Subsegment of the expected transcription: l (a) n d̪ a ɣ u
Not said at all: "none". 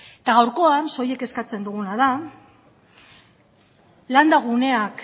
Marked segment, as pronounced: a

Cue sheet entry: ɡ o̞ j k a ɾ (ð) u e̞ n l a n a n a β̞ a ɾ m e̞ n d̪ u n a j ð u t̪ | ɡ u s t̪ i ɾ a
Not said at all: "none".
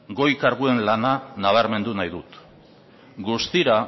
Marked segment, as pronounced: ɣ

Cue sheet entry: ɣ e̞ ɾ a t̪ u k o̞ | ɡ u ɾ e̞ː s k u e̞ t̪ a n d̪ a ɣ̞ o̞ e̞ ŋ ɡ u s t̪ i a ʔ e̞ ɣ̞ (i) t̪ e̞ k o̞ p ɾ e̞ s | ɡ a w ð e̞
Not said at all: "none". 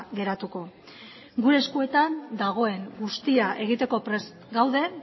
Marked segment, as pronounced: i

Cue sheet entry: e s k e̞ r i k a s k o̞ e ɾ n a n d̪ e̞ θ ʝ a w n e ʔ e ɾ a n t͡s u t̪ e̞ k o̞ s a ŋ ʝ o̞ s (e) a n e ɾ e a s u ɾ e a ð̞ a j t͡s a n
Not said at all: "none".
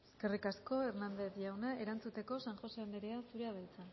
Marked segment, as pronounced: e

